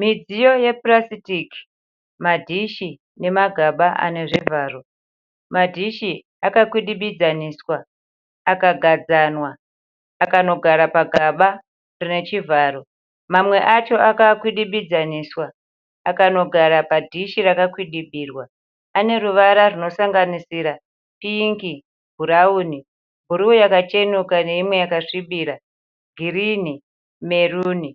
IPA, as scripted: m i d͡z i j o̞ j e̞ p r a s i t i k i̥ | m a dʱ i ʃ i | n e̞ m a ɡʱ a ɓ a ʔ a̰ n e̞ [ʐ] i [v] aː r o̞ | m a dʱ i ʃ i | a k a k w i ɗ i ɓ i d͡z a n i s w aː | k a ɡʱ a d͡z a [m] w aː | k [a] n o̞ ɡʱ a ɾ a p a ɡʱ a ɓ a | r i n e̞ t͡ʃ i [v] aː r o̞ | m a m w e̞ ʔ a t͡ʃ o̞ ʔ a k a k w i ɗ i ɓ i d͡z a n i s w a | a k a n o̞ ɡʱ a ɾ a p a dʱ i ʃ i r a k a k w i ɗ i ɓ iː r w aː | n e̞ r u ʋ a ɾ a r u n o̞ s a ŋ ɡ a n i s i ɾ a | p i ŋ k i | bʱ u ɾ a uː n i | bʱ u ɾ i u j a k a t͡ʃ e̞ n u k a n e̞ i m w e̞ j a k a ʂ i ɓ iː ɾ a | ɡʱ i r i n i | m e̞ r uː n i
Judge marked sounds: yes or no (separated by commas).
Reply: yes, yes, no, yes, yes